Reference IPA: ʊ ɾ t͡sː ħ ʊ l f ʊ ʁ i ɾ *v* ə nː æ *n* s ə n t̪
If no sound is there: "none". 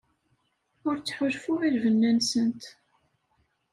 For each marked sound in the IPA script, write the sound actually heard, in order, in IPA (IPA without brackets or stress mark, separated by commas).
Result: v, n